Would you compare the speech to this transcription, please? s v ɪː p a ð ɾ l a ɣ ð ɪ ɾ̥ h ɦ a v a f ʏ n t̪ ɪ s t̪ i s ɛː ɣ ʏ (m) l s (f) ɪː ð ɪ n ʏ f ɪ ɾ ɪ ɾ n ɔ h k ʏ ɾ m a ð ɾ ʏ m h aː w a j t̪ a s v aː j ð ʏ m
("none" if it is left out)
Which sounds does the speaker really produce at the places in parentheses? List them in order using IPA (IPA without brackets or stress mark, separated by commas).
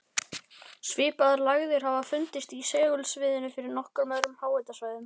none, v